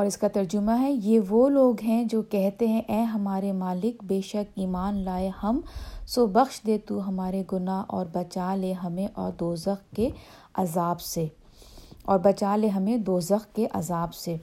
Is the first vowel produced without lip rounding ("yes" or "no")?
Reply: no